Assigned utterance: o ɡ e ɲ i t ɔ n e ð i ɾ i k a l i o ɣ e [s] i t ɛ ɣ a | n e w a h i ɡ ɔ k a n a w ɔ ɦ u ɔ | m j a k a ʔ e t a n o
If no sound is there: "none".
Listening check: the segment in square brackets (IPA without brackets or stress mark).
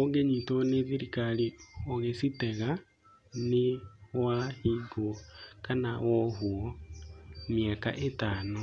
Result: s